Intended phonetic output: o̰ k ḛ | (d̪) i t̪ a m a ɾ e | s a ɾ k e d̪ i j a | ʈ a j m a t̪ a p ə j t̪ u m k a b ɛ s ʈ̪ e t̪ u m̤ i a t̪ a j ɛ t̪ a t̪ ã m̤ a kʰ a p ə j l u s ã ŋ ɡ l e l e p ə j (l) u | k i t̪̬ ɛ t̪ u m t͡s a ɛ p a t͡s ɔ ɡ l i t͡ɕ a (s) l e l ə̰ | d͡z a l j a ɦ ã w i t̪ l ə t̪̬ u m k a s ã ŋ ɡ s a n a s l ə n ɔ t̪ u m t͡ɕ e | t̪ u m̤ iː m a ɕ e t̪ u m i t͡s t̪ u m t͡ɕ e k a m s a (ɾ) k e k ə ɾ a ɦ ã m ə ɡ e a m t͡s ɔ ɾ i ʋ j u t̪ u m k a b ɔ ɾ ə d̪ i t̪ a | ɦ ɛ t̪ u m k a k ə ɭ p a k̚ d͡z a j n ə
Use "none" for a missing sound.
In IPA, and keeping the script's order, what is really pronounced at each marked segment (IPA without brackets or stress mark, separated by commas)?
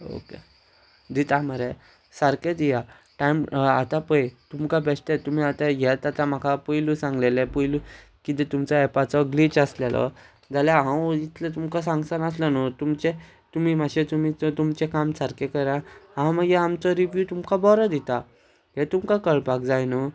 d̪, l, s, ɾ